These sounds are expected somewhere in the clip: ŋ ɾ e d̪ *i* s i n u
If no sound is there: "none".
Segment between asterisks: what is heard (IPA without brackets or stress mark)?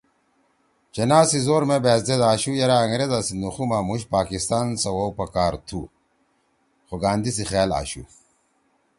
a